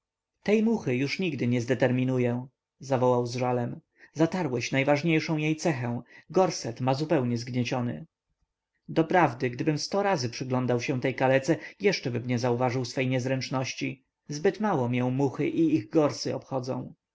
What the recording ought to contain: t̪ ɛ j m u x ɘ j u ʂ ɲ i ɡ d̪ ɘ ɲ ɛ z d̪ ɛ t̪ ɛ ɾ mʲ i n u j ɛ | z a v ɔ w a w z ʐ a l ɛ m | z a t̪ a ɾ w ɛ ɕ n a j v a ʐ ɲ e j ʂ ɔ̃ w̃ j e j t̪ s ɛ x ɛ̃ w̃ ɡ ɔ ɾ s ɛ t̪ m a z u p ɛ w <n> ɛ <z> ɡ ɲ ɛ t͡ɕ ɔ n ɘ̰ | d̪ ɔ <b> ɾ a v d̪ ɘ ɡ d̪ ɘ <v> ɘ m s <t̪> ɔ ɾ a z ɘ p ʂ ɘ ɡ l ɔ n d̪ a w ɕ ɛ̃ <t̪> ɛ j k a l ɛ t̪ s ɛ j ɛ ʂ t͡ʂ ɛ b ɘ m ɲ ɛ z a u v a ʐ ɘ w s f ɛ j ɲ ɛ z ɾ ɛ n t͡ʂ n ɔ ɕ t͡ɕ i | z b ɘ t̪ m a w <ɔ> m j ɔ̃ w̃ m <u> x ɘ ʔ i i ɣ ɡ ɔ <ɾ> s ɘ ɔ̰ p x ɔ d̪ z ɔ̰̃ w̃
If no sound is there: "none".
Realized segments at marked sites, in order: ɲ, z, p, b, t̪, t̪, ɔ, u, ɾ

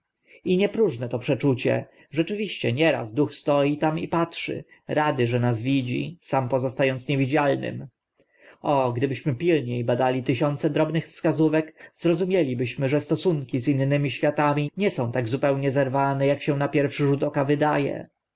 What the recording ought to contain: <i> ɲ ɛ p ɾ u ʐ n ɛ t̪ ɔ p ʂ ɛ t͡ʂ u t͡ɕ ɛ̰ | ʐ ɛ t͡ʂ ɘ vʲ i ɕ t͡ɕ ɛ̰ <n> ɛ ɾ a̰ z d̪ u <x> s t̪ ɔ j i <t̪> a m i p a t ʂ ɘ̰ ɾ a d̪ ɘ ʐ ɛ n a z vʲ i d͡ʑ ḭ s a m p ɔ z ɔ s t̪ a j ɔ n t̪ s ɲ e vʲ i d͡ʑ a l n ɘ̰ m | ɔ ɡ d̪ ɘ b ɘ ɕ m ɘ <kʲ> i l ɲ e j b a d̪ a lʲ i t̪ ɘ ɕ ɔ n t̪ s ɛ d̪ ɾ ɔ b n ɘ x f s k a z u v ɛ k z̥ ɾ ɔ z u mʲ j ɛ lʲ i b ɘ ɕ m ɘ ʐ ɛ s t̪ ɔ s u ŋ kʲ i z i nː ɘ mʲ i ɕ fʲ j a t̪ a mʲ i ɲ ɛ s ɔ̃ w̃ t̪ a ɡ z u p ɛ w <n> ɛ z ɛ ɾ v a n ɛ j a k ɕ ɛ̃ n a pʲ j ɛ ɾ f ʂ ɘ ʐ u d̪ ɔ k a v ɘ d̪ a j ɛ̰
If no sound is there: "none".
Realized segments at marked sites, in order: i, ɲ, x, t̪, pʲ, ɲ

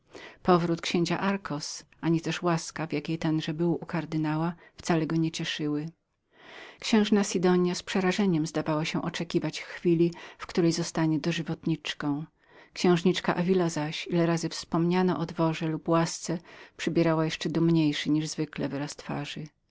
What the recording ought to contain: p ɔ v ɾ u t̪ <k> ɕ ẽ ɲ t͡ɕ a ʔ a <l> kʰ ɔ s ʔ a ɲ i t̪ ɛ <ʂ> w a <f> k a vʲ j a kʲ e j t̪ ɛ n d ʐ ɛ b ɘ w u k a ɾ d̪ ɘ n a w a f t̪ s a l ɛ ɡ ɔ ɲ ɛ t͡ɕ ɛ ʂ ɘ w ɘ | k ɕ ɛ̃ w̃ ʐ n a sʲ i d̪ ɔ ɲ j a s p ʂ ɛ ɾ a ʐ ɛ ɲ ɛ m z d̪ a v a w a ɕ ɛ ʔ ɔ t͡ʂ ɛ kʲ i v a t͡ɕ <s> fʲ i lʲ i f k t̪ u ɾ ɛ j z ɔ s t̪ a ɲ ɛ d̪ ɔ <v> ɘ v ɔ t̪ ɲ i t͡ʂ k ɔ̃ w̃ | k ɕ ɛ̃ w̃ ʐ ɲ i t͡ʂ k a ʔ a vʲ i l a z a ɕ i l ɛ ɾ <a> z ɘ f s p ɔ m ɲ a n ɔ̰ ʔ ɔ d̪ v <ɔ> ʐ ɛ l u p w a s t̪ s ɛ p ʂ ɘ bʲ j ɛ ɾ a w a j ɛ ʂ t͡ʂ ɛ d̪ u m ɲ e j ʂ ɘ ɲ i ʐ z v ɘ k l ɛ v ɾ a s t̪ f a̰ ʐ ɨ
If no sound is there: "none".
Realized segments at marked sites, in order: k, ɾ, ʂ, s, x, ʐ, a, ɔ

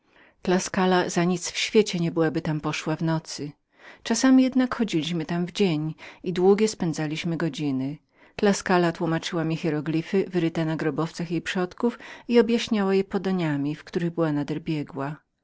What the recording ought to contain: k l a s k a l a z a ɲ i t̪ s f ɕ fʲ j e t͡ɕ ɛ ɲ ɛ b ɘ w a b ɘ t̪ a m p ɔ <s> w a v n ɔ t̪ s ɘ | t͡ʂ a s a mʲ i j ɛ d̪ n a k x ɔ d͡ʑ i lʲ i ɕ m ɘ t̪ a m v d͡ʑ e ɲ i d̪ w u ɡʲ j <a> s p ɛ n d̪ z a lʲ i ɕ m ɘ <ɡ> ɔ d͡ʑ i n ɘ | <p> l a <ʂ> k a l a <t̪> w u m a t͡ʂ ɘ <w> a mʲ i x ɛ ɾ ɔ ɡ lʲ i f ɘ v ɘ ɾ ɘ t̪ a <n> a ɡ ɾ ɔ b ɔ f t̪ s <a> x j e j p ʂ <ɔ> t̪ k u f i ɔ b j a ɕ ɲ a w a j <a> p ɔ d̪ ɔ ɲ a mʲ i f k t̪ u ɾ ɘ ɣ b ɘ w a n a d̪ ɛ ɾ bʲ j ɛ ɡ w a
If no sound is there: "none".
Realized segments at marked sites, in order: ʂ, ɛ, ɡ, k, s, t̪, w, n, a, ɔ, ɛ

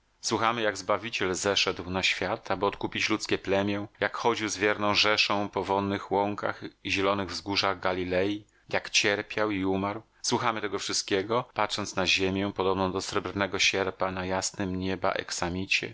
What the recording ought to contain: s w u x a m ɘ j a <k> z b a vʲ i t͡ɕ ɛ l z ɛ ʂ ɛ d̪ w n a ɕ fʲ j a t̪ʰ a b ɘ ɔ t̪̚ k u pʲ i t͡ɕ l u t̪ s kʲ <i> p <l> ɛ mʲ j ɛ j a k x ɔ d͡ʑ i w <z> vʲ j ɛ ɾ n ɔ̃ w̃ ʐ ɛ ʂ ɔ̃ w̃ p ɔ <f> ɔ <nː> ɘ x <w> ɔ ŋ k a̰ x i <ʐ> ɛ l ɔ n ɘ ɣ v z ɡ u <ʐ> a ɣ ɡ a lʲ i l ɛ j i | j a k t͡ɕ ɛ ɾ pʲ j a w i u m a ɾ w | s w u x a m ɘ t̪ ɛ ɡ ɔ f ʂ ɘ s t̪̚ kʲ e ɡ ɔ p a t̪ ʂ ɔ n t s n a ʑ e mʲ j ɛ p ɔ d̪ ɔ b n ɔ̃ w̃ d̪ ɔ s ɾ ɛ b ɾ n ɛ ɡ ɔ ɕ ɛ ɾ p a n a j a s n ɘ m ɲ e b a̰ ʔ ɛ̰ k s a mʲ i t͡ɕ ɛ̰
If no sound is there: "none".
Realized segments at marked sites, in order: ɡ, ɛ, l, z, v, nː, w, ʑ, ʐ

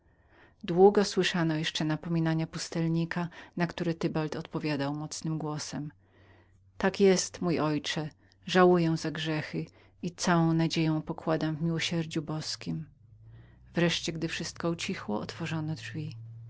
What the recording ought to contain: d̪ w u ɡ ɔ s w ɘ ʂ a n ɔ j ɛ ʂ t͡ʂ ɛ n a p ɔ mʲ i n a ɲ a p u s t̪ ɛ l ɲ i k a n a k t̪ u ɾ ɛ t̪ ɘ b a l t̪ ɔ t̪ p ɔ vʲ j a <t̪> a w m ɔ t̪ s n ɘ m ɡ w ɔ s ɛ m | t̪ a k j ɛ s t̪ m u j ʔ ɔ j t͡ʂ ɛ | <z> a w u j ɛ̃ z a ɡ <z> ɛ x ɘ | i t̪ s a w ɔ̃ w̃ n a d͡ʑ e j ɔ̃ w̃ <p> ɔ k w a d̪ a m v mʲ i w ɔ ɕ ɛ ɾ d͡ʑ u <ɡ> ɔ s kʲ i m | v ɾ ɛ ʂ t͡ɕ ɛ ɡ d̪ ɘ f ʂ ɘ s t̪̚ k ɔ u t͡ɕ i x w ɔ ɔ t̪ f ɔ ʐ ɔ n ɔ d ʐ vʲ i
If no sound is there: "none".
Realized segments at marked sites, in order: d̪, ʐ, ʐ, p, b

